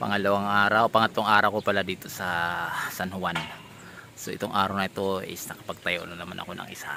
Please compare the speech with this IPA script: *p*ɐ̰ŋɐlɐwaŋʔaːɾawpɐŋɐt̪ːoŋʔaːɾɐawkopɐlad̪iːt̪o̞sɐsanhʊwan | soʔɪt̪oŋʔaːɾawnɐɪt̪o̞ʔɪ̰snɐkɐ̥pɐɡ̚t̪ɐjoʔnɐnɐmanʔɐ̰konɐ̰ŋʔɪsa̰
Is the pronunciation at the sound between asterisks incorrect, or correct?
correct